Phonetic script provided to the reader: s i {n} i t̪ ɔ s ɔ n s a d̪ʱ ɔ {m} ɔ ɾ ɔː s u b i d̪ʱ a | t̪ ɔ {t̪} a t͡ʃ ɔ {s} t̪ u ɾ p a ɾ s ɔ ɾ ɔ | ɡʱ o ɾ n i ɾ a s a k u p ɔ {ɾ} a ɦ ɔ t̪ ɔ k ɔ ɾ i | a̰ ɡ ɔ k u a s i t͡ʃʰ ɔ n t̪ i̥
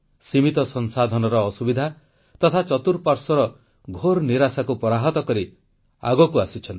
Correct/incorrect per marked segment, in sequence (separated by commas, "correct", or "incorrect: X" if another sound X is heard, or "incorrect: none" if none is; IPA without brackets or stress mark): incorrect: m, incorrect: n, incorrect: t̪ʰ, incorrect: none, correct